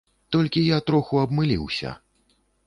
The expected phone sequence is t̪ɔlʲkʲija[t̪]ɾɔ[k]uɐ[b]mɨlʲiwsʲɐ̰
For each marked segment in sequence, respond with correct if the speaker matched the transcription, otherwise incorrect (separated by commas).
correct, incorrect, correct